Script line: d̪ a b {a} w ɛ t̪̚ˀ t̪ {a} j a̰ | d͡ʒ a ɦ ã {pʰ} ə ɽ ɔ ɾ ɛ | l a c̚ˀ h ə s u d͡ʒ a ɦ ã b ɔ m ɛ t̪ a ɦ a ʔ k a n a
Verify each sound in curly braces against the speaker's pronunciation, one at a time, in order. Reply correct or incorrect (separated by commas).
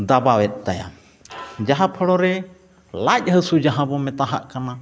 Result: correct, correct, correct